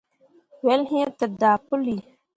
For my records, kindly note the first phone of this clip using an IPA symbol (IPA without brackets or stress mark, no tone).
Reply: w